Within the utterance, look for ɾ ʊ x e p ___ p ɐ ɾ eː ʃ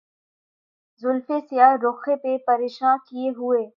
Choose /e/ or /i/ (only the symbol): e